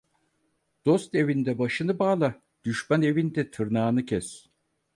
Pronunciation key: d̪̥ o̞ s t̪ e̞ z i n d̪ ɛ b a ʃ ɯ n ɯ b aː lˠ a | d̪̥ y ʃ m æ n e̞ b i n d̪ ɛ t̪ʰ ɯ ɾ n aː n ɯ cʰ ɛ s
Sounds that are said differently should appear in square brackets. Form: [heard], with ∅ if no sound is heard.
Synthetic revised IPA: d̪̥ o̞ s t̪ e̞ [v] i n d̪ ɛ b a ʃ ɯ n ɯ b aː lˠ a | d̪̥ y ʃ m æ n e̞ [v] i n d̪ ɛ t̪ʰ ɯ ɾ n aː n ɯ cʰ ɛ s